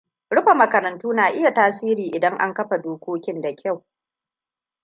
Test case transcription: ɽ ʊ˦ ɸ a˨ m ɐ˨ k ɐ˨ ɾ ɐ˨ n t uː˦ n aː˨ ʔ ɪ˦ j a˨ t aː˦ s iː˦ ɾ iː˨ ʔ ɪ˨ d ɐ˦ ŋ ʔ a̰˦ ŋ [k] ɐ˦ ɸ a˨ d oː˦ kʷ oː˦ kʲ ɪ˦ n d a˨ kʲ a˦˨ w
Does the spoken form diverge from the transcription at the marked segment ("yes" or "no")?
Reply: no